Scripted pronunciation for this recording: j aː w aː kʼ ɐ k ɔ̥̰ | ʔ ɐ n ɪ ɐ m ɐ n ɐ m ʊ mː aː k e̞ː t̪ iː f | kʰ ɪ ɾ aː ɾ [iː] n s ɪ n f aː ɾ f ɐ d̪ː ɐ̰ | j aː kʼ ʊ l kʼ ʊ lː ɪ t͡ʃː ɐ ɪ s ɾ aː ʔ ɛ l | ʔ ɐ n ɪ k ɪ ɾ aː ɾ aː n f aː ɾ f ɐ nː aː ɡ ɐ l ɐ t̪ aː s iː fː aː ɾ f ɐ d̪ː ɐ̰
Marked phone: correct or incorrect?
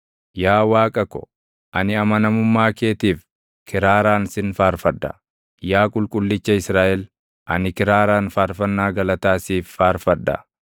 incorrect: aː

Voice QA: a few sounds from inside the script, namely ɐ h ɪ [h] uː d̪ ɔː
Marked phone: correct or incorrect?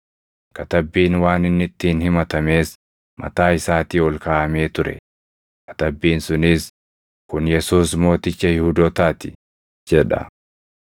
correct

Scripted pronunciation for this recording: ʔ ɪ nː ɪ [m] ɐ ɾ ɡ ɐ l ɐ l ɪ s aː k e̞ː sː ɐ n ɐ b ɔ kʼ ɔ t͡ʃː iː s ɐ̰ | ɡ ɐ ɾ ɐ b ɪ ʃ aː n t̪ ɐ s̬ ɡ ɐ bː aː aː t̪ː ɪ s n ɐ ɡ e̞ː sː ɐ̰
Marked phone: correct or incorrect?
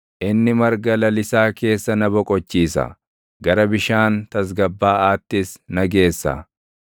correct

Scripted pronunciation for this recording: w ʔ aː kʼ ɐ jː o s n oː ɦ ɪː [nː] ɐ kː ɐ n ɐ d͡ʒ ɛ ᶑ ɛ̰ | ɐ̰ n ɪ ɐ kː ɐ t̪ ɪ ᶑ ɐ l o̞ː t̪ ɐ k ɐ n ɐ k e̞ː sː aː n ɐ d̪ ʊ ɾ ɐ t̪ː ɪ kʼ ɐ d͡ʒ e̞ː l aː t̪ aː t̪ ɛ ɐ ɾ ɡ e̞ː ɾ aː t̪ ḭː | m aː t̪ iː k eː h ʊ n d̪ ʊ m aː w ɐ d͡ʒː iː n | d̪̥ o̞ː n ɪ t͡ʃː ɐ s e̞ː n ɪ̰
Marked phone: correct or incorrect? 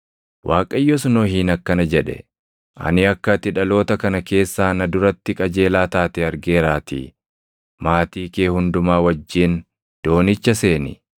incorrect: n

